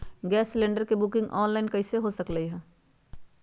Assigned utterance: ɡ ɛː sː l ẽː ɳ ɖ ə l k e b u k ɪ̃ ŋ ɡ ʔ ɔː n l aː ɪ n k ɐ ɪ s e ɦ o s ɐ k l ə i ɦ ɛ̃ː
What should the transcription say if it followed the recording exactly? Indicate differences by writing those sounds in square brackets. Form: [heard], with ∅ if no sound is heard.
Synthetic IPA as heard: ɡ ɛː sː l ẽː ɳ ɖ ə [ɾ] k e b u k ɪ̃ ŋ ɡ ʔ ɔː n l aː ɪ n k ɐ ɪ s e ɦ o s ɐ k l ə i ɦ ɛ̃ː